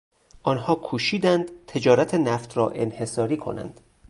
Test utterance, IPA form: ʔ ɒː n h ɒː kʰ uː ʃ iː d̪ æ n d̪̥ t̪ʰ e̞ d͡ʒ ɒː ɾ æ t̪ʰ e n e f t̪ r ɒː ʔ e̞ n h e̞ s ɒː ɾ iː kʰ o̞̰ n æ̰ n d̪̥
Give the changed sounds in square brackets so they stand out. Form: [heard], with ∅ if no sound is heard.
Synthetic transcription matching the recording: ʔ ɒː n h ɒː kʰ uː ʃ iː d̪ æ n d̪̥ t̪ʰ e̞ d͡ʒ ɒː ɾ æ t̪ʰ e n [æ] f t̪ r ɒː ʔ e̞ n h e̞ s ɒː ɾ iː kʰ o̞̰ n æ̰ n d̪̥